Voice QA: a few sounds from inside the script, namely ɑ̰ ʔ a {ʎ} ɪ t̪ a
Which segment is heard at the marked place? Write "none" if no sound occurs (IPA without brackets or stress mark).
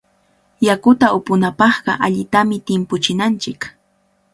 ʎ